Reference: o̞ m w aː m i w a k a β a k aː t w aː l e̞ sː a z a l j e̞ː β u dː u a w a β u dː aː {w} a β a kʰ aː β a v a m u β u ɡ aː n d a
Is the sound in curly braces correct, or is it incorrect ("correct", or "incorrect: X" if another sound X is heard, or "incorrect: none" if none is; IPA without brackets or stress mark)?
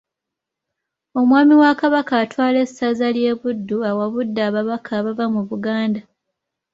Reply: incorrect: β